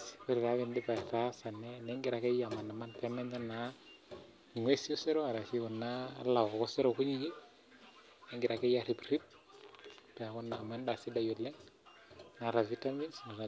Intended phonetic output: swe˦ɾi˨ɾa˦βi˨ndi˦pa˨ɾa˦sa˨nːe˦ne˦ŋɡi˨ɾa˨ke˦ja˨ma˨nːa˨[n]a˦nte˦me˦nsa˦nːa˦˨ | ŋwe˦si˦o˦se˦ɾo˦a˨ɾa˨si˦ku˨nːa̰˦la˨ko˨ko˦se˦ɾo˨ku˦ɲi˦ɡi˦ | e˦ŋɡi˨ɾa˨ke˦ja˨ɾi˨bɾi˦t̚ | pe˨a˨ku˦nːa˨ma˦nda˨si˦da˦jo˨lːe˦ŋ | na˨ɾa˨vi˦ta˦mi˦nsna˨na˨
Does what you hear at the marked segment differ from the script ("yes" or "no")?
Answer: yes